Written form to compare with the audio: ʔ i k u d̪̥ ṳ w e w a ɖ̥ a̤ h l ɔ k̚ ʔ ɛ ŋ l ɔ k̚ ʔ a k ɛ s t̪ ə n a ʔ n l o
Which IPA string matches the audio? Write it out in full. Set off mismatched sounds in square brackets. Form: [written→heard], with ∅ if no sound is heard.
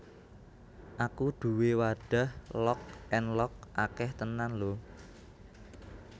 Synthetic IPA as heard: ʔ [i→a] k u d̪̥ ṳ w e w a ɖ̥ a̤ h l ɔ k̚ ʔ ɛ [ŋ→n] l ɔ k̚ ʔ a k ɛ [s→h] t̪ ə n a [ʔ→∅] n l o